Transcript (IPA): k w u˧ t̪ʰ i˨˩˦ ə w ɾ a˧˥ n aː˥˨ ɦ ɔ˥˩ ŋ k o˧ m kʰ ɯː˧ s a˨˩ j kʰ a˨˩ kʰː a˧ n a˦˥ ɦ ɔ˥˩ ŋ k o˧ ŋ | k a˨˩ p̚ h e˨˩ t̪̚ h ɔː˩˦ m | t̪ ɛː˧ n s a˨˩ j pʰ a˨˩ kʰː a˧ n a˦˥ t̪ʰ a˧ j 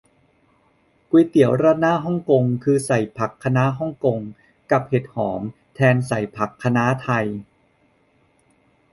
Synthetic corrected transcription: k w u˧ t̪ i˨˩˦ ə w ɾ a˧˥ n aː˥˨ ɦ ɔ˥˩ ŋ k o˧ ŋ kʰ ɯː˧ s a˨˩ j pʰ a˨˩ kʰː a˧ n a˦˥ ɦ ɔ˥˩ ŋ k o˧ ŋ | k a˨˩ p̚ h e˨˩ t̪̚ h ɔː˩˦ m | t̪ʰ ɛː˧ n s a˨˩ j pʰ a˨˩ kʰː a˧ n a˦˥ t̪ʰ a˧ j